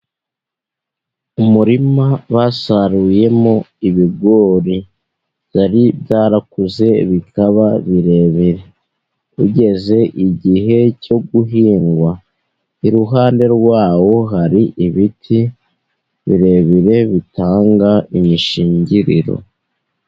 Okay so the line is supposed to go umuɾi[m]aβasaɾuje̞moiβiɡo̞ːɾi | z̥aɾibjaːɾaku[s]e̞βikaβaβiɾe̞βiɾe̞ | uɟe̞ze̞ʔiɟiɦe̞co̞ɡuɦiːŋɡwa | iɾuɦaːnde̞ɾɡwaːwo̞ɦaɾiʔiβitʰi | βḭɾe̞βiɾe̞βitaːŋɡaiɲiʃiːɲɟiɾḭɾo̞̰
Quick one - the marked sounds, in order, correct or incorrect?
correct, incorrect: z

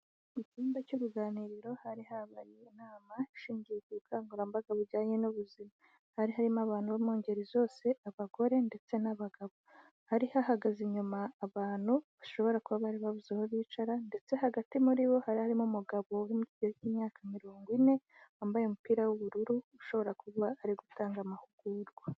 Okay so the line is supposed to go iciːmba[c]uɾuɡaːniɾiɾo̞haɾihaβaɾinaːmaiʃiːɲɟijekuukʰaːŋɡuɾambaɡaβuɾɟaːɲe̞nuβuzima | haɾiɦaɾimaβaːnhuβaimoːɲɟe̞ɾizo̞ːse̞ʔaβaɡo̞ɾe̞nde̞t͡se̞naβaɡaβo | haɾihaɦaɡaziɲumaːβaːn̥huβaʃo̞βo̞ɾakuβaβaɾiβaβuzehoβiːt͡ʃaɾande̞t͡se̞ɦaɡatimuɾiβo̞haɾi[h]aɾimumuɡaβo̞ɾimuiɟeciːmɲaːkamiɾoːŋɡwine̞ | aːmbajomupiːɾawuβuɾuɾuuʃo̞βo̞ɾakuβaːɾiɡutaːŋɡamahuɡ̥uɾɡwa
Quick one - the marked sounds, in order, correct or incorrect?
correct, correct

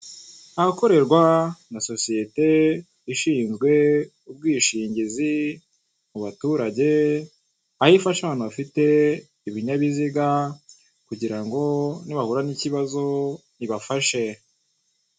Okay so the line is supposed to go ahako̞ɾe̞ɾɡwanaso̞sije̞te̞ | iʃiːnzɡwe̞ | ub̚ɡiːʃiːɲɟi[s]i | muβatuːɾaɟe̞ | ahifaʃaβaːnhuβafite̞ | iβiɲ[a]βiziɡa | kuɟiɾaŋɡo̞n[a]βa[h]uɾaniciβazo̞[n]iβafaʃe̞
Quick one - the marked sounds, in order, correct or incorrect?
incorrect: z, correct, incorrect: i, correct, correct

